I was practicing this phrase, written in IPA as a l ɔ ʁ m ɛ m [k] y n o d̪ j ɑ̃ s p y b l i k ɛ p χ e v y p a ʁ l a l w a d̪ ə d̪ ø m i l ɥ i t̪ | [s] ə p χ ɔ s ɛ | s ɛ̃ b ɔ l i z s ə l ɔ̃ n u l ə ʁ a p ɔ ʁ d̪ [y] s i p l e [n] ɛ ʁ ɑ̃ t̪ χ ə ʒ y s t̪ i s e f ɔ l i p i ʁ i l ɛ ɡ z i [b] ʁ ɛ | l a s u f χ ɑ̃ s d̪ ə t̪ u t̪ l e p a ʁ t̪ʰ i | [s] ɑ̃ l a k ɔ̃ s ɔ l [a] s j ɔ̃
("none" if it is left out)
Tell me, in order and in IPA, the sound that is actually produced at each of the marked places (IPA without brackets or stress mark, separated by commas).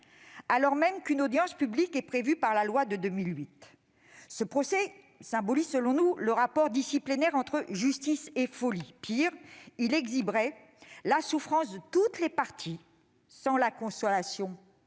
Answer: k, s, i, n, b, s, a